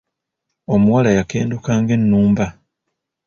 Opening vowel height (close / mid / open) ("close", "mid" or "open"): mid